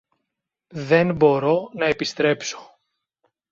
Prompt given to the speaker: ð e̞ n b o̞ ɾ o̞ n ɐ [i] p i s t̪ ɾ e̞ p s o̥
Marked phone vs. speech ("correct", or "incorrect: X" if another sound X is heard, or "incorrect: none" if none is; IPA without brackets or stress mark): incorrect: e